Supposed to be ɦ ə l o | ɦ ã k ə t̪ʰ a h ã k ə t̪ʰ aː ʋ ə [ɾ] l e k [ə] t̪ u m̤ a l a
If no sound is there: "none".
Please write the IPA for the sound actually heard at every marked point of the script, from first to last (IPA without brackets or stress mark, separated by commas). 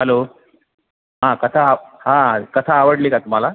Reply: ɽ, a